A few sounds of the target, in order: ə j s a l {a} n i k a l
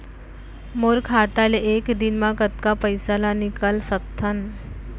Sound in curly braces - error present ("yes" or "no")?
no